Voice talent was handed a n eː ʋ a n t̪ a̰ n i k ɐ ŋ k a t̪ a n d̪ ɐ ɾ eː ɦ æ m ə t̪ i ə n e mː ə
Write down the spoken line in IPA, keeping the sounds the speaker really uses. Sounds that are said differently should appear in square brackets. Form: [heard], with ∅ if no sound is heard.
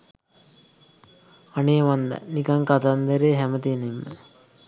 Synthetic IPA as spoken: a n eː ʋ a n [d̪] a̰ n i k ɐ ŋ k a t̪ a n d̪ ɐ ɾ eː ɦ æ m ə t̪ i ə n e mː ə